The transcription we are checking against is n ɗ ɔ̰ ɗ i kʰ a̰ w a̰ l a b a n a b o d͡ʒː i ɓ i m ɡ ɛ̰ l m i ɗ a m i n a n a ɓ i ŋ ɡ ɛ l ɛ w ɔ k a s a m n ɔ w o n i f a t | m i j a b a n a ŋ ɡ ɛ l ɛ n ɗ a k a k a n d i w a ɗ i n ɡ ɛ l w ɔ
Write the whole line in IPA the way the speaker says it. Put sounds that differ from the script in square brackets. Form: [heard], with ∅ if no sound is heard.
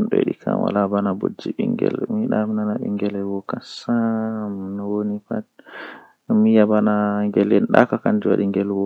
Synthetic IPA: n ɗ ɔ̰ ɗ i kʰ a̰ w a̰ l a b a n a b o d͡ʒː i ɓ i [ŋ] ɡ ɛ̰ l m i ɗ a m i n a n a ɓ i ŋ ɡ ɛ l ɛ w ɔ k a s a m n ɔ w o n i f a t | m i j a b a n a ŋ ɡ ɛ l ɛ n ɗ a k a k a n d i w a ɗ i [ŋ] ɡ ɛ l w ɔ